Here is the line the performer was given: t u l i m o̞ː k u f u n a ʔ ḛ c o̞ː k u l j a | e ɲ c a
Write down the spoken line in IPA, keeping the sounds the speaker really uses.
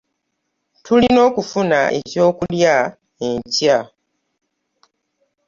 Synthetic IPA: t u l i n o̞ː k u f u n a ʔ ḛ c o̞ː k u l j a | e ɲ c a